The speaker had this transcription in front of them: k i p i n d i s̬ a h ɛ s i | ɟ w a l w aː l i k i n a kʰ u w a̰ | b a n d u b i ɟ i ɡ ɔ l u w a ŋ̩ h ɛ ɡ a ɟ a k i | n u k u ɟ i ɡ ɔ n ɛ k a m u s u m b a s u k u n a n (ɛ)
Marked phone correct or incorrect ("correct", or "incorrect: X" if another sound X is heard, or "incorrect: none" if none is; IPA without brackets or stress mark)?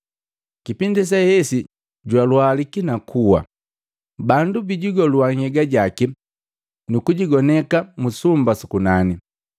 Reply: incorrect: i